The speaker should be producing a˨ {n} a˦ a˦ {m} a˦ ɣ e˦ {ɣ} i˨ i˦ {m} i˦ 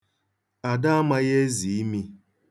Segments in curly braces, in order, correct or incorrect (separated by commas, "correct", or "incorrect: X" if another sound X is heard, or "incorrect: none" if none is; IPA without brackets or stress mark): incorrect: d, correct, incorrect: z, correct